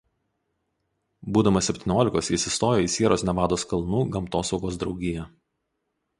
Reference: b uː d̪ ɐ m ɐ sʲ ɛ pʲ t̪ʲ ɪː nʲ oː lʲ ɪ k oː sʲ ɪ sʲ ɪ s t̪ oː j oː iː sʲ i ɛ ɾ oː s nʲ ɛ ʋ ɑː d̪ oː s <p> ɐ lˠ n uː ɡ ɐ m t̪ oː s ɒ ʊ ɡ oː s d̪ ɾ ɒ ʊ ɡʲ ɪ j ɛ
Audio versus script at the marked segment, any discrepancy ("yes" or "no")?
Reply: yes